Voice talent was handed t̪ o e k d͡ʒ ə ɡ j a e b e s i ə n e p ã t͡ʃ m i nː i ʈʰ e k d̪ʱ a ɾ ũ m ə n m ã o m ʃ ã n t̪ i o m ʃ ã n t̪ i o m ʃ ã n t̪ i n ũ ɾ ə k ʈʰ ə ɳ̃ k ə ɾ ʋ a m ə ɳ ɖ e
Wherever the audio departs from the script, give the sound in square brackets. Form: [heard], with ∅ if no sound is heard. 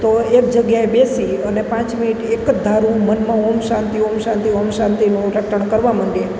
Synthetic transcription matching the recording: t̪ o e k d͡ʒ ə ɡ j a e b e s i ə n e p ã t͡ʃ m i [n] i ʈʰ e k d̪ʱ a ɾ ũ m ə n m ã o m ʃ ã n t̪ i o m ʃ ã n t̪ i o m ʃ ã n t̪ i n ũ ɾ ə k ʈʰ ə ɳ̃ k ə ɾ ʋ a m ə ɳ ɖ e

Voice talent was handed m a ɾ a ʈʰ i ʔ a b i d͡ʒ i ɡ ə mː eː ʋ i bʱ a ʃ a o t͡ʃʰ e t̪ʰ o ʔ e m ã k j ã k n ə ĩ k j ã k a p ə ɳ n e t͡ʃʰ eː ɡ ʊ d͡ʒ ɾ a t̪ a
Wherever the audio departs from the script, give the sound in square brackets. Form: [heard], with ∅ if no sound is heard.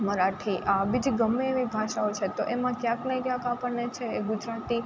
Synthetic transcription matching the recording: m [ə] ɾ a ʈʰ i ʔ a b i d͡ʒ i ɡ ə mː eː ʋ i bʱ a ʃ a o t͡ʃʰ e [t̪] o ʔ e m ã k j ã k n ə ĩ k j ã k a p ə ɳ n e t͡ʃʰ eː ɡ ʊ d͡ʒ ɾ a t̪ [i]

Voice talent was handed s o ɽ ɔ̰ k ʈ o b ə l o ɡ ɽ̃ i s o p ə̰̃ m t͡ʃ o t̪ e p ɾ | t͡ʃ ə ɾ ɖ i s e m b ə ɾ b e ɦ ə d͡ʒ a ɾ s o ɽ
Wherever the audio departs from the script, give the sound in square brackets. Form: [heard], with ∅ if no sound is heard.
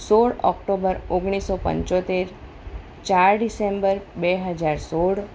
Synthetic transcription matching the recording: s o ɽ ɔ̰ k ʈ o b ə [ɾ] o ɡ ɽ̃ i s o p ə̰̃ [ɲ] t͡ʃ o t̪ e [∅] ɾ | t͡ʃ [a] ɾ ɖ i s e m b ə ɾ b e ɦ ə d͡ʒ a ɾ s o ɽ

